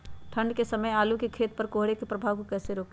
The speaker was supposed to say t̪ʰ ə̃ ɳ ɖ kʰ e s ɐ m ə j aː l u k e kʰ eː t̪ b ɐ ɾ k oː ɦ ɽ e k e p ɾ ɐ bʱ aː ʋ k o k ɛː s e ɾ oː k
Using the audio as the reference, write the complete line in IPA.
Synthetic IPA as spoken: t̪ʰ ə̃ ɳ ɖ k e s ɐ m ə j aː l u k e kʰ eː t̪ p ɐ ɾ k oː ɦ ɽ e k e p ɾ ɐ bʱ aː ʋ k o k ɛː s e ɾ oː k